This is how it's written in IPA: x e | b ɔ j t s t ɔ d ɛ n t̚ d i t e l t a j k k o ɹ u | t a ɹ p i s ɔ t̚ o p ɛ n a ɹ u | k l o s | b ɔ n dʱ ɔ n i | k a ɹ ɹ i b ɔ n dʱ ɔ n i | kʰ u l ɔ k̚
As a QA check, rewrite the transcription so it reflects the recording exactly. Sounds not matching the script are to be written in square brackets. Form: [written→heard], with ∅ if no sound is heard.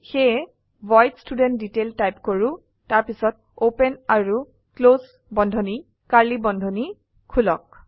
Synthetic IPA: x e | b ɔ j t s t [ɔ→u] d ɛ n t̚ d i t e l t a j [k→p] k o ɹ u | t a ɹ p i s ɔ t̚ o p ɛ n a ɹ u | k l o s | b ɔ n dʱ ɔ n i | k a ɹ [ɹ→l] i b ɔ n dʱ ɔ n i | kʰ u l ɔ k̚